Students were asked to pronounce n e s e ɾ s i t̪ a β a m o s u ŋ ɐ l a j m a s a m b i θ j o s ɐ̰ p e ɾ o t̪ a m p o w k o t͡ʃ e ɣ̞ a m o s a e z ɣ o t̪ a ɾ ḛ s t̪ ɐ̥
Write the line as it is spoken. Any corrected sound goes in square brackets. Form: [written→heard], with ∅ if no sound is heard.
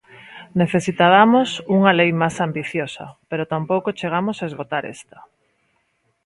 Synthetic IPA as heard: n e [s→θ] e [ɾ→∅] s i t̪ a β a m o s u ŋ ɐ l [a→e] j m a s a m b i θ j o s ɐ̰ p e ɾ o t̪ a m p o w k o t͡ʃ e ɣ̞ a m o s a e z ɣ o t̪ a ɾ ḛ s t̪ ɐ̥

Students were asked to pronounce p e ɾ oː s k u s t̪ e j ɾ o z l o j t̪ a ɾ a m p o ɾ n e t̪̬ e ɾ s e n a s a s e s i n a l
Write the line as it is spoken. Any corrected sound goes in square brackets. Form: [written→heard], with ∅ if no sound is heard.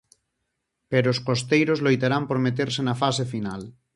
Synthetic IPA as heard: p e ɾ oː s k [u→o] s t̪ e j ɾ o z l o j t̪ a ɾ a m p o ɾ [n→m] e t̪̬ e ɾ s e n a [s→f] a s e [s→f] i n a l

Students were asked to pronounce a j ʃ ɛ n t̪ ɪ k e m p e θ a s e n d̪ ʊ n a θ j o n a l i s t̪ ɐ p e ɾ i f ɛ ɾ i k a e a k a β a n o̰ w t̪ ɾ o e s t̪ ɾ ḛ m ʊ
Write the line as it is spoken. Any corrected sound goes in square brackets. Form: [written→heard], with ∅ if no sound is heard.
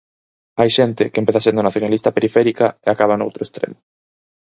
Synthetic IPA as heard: a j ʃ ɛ n t̪ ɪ k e m p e θ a s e n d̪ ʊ n a θ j o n a l i s t̪ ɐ p e ɾ i f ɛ ɾ i k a e a k a β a n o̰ w t̪ ɾ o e s t̪ ɾ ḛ m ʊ

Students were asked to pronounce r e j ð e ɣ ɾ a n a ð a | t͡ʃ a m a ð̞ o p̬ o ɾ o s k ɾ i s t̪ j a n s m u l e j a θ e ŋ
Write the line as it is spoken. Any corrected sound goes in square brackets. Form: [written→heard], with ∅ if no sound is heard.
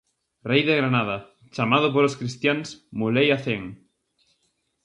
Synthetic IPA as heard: r e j ð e ɣ ɾ a n a ð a | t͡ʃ a m a ð̞ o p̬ o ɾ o s k ɾ i s t̪ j a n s m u l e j a θ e ŋ

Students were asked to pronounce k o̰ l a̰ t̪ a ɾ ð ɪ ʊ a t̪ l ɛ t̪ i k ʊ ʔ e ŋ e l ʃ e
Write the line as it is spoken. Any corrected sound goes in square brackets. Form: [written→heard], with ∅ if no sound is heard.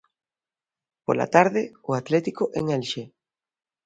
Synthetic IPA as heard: [k→p] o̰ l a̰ t̪ a ɾ ð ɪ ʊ a t̪ l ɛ t̪ i k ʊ ʔ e ŋ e l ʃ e

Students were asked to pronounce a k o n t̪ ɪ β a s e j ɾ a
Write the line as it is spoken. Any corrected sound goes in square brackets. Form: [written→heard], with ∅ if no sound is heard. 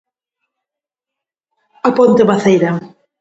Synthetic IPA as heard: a [k→p] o n t̪ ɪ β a [s→θ] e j ɾ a

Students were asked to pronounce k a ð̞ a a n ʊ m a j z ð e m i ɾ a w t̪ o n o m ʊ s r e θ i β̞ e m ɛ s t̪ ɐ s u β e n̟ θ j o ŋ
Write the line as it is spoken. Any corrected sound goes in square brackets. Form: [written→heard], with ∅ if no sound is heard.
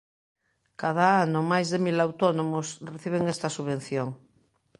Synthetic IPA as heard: k a ð̞ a a n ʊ m a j z ð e m i [ɾ→l] a w t̪ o n o m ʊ s r e θ i β̞ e [m→ŋ] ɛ s t̪ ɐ s u β e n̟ θ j o ŋ

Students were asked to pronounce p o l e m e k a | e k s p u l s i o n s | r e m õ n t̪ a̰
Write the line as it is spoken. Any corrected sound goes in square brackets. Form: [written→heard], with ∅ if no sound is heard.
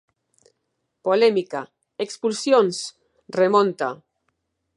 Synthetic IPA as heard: p o l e m [e→i] k a | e k s p u l s [i→j] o n s | r e m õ n t̪ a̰

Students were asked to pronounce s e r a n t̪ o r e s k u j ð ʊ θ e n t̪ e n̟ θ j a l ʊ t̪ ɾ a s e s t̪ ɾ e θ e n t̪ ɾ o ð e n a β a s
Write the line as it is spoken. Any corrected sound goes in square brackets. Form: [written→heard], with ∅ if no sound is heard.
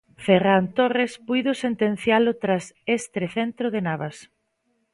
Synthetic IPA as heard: [s→f] e r a n t̪ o r e s [k→p] u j ð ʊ [θ→s] e n t̪ e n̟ θ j a l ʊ t̪ ɾ a s e s t̪ ɾ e θ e n t̪ ɾ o ð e n a β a s

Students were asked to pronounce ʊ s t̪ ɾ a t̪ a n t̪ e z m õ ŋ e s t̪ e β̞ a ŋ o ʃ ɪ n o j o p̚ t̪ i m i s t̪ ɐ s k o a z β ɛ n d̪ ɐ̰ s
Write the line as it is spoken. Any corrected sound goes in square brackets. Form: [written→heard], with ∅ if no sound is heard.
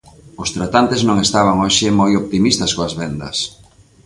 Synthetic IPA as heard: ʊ s t̪ ɾ a t̪ a n t̪ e z [m→n] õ ŋ e s t̪ [e→a] β̞ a ŋ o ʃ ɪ [n→m] o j o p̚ t̪ i m i s t̪ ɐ s k o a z β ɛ n d̪ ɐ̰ s

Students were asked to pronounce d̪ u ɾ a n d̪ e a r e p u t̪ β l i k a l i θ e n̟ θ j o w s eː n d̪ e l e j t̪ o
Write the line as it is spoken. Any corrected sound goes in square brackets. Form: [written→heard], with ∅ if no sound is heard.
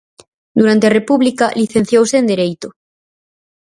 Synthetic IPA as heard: d̪ u ɾ a n [d̪→t̪] e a r e p u [t̪→∅] β l i k a l i θ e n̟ θ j o w s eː n d̪ e [l→ɾ] e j t̪ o

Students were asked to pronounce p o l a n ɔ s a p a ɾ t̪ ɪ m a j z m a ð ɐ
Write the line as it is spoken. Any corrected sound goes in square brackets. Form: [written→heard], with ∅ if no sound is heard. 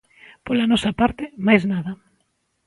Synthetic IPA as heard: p o l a n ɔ s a p a ɾ t̪ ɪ m a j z [m→n] a ð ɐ

